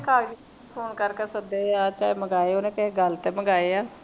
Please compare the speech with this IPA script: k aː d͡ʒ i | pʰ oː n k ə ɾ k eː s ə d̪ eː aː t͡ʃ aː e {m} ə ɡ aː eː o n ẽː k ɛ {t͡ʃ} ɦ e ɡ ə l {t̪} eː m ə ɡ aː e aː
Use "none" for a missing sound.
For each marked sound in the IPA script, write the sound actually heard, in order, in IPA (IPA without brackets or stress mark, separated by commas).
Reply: m, none, t̪